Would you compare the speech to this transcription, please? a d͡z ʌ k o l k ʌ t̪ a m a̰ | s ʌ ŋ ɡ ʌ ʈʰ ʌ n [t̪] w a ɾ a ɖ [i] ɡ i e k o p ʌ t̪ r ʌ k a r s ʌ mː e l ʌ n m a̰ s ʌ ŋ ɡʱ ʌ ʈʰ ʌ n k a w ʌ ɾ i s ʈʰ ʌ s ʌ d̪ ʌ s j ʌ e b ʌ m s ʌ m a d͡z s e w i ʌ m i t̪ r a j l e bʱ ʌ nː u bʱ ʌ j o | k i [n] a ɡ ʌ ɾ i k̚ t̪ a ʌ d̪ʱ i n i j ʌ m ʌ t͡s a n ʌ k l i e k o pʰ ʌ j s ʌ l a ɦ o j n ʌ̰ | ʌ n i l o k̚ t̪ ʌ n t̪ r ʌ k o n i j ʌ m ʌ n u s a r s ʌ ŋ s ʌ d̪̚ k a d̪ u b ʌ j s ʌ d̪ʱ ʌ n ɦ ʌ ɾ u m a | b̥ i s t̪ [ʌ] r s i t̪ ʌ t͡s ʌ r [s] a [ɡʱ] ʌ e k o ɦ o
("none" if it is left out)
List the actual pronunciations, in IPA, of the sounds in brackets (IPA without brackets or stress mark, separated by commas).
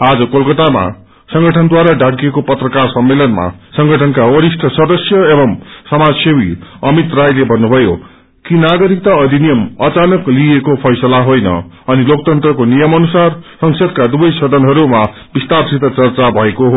d̪, a, n, a, t͡s, bʱ